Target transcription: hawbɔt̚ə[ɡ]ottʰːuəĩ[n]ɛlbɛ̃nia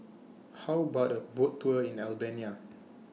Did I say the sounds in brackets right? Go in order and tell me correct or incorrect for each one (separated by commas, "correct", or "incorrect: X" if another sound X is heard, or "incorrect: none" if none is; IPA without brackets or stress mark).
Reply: incorrect: b, correct